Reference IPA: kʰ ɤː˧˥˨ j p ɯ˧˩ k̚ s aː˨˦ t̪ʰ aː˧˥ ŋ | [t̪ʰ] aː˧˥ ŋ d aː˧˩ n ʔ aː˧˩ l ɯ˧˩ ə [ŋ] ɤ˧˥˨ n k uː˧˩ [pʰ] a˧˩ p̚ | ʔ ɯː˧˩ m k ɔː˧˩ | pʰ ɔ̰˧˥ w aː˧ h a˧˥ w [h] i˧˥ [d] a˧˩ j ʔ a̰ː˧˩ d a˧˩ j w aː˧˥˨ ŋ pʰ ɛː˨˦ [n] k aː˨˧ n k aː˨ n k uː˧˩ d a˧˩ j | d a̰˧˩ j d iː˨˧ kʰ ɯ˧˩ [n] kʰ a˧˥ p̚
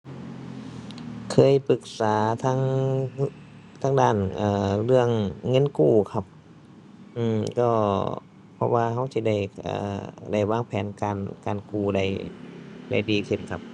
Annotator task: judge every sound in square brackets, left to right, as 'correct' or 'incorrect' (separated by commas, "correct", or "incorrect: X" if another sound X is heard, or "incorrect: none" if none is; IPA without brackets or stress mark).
correct, incorrect: ŋː, incorrect: kʰ, incorrect: s, correct, correct, correct